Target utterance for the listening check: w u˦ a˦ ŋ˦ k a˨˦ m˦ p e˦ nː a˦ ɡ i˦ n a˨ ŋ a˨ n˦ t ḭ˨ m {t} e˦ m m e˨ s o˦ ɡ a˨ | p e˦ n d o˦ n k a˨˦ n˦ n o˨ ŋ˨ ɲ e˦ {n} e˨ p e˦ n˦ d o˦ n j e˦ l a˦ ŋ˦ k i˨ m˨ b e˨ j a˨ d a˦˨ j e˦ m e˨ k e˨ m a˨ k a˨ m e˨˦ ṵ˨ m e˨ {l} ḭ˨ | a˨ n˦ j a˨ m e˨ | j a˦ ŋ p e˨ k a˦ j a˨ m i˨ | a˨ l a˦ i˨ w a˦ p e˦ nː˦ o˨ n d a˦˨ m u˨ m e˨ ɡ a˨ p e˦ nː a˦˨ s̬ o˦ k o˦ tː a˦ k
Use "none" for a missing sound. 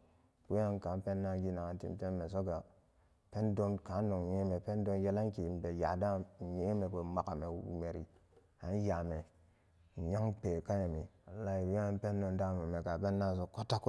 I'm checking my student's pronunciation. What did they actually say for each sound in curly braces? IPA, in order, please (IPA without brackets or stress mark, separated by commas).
t, m, ɾ